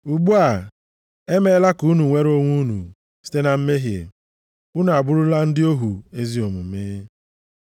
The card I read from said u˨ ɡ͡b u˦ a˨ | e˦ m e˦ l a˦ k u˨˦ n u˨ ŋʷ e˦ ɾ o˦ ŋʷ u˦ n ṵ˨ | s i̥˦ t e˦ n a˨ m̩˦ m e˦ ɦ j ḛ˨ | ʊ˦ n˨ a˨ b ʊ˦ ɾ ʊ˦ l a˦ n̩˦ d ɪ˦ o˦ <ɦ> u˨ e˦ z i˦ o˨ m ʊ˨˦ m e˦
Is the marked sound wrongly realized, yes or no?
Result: no